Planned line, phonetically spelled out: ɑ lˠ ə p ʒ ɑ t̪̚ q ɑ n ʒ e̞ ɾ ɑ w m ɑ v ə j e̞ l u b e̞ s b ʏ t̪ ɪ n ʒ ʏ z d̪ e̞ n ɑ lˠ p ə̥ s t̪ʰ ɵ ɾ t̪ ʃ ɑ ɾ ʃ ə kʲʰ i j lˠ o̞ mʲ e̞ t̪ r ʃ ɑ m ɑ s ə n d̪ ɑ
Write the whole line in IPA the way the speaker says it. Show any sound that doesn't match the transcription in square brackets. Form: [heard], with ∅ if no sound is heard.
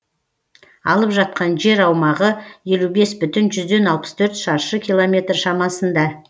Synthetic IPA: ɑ lˠ ə p ʒ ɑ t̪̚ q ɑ n ʒ e̞ ɾ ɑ w m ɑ [ʁ] ə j e̞ l u b e̞ s b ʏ t̪ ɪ n ʒ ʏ z d̪ e̞ n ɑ lˠ p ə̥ s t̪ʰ ɵ ɾ t̪ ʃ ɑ ɾ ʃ ə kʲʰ i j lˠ o̞ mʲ e̞ t̪ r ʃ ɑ m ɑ s ə n d̪ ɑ